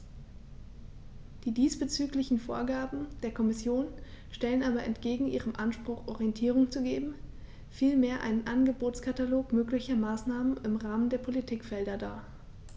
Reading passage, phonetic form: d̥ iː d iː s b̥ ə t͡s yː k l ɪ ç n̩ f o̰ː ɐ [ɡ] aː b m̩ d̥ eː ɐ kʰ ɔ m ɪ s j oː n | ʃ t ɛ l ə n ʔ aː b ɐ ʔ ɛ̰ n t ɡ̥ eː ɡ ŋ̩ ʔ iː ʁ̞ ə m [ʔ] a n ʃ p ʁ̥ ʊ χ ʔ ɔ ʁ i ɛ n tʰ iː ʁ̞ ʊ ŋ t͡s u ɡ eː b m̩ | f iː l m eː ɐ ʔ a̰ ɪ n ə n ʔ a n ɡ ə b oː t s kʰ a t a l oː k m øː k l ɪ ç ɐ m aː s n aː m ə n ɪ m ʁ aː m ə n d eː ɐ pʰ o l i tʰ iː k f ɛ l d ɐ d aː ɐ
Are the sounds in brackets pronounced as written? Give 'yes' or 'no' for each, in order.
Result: yes, yes

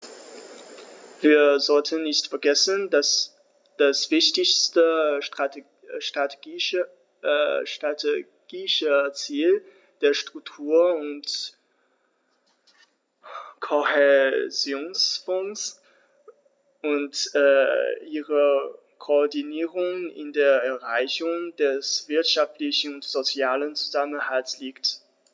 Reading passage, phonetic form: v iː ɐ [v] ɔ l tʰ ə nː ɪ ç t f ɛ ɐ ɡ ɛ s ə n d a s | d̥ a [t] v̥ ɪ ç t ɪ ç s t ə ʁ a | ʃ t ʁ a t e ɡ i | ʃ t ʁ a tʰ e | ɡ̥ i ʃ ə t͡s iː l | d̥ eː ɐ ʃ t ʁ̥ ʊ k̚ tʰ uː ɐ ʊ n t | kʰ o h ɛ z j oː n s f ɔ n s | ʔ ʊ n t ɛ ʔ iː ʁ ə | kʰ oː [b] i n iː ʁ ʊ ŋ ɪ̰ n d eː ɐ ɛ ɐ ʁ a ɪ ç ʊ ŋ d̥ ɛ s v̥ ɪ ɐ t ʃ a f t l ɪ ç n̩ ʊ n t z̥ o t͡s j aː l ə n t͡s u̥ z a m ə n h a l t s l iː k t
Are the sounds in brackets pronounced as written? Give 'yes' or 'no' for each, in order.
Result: no, no, no

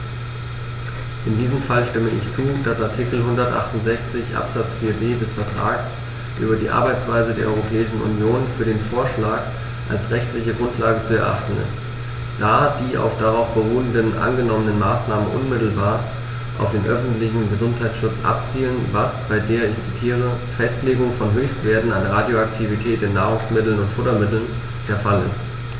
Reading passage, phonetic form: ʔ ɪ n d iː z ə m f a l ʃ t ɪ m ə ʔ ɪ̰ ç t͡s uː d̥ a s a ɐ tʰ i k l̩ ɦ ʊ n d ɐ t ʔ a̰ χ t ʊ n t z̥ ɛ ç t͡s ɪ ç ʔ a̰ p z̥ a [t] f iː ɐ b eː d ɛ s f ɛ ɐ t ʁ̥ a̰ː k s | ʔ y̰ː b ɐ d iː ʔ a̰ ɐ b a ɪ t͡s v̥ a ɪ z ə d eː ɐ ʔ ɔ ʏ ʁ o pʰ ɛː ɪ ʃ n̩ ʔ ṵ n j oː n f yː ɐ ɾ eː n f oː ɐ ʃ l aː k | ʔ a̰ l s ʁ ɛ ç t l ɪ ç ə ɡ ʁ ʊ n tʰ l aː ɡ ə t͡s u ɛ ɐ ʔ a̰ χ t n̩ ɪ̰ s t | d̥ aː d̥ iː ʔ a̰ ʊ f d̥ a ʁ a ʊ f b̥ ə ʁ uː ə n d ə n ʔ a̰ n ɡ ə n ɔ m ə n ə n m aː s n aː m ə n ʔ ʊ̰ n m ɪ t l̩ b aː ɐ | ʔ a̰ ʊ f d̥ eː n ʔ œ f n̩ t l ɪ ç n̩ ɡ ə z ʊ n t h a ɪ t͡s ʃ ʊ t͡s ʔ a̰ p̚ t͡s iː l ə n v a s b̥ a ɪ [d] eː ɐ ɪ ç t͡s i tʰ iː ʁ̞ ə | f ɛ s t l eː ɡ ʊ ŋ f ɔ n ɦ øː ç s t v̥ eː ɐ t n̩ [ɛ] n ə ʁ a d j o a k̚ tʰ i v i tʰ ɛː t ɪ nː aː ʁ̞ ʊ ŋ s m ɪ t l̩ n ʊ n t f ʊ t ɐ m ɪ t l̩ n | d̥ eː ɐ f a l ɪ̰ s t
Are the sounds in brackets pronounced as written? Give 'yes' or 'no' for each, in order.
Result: no, yes, no

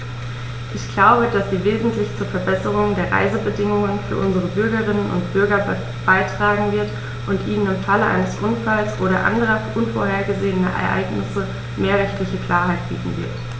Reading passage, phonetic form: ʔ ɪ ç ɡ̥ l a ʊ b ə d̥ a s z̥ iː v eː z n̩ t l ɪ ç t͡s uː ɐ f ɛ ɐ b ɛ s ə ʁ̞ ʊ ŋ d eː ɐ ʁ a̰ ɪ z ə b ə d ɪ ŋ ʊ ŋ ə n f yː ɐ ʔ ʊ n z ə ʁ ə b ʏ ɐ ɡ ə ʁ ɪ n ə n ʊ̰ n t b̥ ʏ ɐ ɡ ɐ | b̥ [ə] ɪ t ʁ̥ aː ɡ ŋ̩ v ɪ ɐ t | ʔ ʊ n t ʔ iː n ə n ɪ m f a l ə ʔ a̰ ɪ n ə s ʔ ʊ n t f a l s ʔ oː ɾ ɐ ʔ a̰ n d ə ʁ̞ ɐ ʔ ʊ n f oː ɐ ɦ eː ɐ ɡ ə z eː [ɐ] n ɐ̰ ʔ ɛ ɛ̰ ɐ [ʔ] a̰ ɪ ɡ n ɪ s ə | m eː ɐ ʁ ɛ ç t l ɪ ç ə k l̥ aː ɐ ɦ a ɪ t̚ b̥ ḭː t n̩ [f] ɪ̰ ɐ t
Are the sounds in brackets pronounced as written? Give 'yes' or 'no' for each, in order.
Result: no, no, yes, no

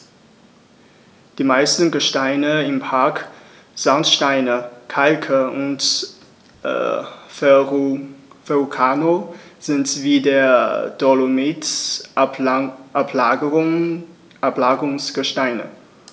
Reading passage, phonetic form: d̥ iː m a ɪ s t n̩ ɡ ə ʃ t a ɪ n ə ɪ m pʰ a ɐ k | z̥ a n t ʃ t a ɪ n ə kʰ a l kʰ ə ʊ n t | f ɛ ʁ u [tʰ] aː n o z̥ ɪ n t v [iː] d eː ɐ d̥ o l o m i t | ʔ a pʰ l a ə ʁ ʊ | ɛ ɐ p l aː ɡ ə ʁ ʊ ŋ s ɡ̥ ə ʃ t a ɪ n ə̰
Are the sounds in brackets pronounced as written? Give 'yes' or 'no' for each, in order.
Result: no, yes

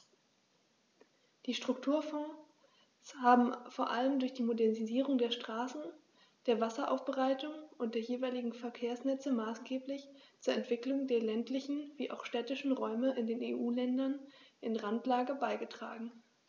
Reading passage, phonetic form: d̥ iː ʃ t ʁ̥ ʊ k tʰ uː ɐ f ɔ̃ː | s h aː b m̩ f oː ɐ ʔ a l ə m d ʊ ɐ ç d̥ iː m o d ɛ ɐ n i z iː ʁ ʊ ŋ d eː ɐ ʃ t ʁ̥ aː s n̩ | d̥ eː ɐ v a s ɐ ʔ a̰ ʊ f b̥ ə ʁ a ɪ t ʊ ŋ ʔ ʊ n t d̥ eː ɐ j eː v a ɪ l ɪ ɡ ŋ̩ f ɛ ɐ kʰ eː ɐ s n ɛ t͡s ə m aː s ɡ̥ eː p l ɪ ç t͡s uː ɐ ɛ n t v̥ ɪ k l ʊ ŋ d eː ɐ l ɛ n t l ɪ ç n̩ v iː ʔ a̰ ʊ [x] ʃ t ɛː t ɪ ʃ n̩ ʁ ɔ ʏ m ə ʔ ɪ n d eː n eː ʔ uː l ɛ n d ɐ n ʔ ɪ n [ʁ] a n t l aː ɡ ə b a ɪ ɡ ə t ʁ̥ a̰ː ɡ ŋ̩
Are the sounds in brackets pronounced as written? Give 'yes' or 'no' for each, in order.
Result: yes, yes

